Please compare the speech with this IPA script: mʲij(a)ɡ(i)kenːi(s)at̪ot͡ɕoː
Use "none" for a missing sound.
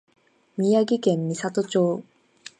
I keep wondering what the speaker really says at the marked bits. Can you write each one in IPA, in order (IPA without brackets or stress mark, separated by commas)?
a, i, s